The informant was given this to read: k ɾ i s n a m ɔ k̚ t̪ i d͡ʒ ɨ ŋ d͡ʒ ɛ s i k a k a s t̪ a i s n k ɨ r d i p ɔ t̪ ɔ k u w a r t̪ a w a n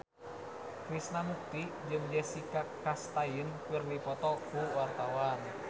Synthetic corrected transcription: k ɾ i s n a m u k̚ t̪ i d͡ʒ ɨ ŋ d͡ʒ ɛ s i k a k a s t̪ a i n k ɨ r d i p ɔ t̪ ɔ k u w a r t̪ a w a n